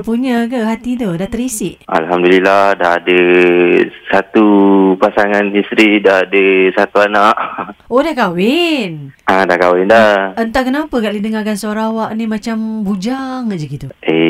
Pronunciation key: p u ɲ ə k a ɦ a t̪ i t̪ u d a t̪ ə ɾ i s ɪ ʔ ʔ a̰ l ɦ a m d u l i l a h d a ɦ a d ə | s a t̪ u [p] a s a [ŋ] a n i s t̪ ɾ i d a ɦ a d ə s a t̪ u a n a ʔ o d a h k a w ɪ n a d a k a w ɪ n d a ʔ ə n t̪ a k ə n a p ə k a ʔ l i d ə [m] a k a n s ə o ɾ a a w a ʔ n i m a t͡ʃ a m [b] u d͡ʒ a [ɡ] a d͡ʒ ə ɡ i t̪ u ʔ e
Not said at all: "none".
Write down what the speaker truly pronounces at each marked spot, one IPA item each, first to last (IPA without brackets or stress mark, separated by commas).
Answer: p, ŋ, ŋ, b, ŋ